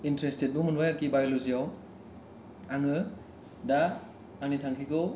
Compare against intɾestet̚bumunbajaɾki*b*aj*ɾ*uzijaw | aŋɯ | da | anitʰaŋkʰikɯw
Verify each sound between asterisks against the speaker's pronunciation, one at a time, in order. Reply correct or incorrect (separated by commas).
correct, incorrect